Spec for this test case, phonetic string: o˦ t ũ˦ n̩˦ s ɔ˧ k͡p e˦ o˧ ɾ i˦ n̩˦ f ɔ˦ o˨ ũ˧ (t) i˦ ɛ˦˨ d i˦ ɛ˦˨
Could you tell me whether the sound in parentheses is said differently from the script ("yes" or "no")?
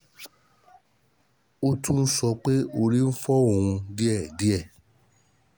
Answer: yes